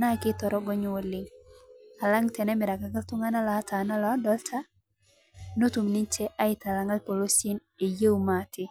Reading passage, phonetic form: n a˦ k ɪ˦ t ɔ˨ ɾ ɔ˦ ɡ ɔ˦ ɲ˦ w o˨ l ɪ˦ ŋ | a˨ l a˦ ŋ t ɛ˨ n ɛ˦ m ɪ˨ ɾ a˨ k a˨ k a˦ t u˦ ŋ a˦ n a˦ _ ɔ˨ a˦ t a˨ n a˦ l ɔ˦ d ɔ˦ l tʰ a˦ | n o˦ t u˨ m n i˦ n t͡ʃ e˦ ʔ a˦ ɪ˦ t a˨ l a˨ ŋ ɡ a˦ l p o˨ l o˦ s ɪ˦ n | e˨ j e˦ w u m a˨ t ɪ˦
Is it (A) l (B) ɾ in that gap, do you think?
A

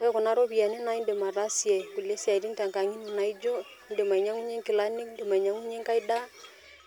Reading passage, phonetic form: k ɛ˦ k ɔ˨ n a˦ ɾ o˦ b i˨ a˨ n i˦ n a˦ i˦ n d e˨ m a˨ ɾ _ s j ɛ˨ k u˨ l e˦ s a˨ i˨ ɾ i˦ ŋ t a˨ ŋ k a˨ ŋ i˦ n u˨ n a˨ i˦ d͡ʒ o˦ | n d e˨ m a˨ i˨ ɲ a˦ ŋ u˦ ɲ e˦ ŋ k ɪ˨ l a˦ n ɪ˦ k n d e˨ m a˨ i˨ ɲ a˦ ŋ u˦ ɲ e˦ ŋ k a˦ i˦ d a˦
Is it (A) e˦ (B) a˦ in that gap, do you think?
B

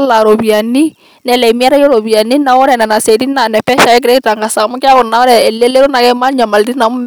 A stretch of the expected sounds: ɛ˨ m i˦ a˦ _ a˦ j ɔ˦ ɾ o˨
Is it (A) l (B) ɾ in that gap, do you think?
B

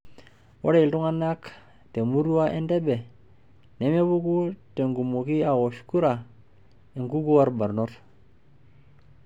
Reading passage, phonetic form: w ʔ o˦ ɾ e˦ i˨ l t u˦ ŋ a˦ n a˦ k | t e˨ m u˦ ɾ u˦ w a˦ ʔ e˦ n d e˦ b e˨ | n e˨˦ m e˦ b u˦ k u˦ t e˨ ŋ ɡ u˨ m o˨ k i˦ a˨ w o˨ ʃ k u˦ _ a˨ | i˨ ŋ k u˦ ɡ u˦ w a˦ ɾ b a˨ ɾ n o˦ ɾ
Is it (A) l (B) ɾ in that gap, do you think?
B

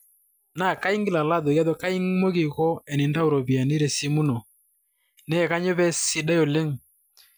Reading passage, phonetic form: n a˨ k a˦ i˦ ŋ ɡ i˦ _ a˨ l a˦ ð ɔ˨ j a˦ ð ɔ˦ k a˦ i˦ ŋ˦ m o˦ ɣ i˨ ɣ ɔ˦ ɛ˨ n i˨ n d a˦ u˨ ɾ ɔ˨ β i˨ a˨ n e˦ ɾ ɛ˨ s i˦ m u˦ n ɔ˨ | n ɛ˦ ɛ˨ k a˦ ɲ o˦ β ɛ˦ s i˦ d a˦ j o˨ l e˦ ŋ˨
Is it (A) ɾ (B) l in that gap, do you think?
B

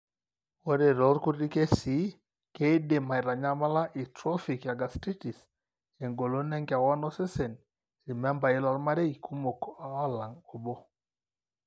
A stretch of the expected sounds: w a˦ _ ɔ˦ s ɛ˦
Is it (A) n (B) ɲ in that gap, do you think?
A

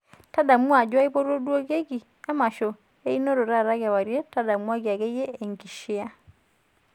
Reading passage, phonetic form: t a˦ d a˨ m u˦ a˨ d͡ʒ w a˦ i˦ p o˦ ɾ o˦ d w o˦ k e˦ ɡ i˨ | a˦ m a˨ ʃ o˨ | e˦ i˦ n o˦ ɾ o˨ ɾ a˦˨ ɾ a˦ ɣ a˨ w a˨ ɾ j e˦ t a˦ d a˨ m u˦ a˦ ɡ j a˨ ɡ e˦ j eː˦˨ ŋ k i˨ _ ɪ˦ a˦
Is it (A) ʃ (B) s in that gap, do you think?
A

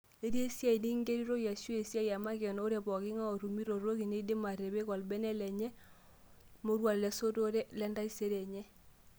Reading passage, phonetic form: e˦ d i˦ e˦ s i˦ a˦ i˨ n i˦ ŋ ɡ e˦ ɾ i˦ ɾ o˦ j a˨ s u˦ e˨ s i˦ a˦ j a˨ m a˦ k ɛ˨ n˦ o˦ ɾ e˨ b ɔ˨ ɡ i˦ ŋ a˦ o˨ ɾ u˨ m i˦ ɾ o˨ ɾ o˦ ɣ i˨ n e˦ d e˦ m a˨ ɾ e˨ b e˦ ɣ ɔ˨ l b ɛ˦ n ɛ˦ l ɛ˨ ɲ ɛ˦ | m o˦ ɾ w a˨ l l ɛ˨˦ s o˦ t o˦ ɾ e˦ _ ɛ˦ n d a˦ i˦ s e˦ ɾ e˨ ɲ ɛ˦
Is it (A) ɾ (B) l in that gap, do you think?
B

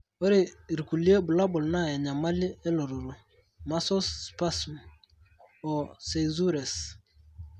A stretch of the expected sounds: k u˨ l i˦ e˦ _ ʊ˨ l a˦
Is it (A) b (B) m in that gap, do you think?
A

